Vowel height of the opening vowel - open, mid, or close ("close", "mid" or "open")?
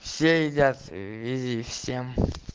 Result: mid